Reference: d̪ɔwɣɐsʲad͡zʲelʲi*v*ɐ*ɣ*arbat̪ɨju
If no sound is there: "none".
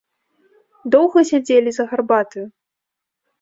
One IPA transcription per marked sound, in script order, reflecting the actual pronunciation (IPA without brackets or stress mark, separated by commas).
z, ɣ